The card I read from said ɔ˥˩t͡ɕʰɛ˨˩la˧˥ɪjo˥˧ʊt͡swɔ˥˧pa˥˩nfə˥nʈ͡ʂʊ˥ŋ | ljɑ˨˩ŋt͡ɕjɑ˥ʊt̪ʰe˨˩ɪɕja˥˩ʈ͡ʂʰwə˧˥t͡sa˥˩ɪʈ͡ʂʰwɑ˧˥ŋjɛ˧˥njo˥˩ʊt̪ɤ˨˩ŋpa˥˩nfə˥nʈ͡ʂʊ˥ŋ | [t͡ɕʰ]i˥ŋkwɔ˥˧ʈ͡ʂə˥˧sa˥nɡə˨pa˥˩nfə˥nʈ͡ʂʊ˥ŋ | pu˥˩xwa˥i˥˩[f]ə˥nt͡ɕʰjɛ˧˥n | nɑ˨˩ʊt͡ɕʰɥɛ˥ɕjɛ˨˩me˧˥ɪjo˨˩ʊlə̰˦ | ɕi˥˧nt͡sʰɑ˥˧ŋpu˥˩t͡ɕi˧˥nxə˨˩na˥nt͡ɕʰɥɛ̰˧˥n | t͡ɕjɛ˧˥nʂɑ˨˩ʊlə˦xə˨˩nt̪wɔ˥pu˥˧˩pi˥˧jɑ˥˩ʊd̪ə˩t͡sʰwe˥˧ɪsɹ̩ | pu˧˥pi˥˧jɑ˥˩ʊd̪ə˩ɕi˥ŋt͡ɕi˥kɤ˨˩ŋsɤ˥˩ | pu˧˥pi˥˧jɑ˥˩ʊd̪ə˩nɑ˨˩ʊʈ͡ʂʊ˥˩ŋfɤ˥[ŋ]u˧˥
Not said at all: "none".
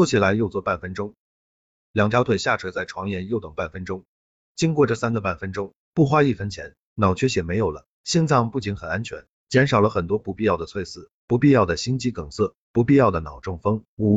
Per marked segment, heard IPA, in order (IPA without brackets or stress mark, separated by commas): t͡ɕ, f, ŋ